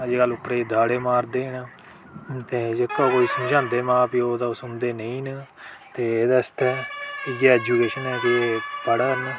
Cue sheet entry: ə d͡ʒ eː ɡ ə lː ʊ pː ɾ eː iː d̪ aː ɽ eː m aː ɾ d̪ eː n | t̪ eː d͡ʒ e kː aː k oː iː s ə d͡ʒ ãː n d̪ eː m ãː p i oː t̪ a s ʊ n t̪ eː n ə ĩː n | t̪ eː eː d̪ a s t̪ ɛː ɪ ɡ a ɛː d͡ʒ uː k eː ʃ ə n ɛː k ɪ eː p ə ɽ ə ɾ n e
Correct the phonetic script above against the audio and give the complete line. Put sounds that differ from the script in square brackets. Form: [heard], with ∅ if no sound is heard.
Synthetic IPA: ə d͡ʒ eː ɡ ə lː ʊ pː ɾ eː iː d̪ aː ɽ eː m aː ɾ d̪ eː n | t̪ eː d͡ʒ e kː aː k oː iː s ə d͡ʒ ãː n d̪ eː m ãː p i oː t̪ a s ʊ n [d̪] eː n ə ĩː n | t̪ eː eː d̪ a s t̪ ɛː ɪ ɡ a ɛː d͡ʒ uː k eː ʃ ə n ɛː k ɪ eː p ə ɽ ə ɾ n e